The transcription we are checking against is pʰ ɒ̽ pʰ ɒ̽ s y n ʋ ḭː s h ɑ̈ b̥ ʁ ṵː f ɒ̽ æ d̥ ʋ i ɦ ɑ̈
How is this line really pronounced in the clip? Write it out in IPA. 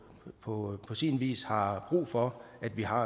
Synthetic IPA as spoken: pʰ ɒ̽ pʰ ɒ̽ s i n ʋ ḭː s h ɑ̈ b̥ ʁ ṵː f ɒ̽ æ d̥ ʋ i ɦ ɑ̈